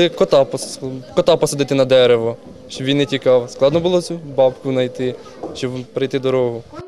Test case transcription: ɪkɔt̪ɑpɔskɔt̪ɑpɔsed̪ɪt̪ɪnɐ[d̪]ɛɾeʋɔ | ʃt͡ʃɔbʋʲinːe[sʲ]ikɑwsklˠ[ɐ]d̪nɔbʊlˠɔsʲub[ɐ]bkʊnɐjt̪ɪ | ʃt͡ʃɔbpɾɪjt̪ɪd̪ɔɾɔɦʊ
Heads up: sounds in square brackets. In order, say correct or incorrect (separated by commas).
correct, incorrect, incorrect, incorrect